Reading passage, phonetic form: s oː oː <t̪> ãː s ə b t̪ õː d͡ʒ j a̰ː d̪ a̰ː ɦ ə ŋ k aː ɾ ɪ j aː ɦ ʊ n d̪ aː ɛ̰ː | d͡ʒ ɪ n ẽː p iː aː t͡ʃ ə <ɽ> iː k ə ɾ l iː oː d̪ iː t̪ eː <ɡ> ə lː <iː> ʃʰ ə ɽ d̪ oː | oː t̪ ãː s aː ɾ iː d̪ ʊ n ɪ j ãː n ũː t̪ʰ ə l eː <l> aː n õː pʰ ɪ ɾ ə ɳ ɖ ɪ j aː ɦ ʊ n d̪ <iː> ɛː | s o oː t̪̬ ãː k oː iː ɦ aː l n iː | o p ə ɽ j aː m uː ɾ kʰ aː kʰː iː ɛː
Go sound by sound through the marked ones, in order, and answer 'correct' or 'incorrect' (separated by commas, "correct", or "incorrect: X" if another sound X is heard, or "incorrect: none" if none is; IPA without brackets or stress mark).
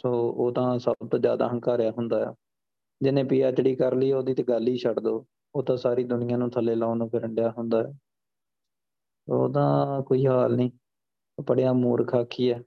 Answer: correct, correct, correct, correct, correct, incorrect: aː